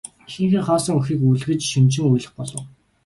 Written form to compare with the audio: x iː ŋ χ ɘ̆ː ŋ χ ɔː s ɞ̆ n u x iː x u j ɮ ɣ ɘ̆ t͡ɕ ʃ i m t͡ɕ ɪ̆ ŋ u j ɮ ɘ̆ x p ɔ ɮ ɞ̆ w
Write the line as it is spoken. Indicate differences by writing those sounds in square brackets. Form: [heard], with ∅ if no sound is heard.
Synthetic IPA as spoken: x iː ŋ [x] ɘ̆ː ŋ χ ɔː s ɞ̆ [ŋ] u x iː [k] u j ɮ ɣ ɘ̆ t͡ɕ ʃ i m t͡ɕ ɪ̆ ŋ u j ɮ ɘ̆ [χ] p ɔ ɮ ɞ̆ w